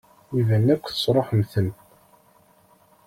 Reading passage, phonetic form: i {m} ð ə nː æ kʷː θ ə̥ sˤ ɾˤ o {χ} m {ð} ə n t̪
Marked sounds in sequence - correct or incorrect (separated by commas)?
incorrect, incorrect, incorrect